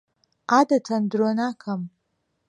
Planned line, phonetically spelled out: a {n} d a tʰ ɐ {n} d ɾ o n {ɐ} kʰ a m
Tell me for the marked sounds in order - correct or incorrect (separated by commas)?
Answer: incorrect, correct, incorrect